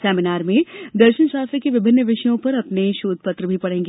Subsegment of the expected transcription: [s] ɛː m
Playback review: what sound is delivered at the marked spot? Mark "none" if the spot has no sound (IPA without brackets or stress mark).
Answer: s